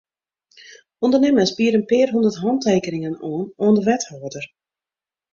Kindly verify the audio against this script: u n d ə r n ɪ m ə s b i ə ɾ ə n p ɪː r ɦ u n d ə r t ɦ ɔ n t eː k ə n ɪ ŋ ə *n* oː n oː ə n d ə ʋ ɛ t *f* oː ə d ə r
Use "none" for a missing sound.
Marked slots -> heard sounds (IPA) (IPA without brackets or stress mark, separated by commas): n, h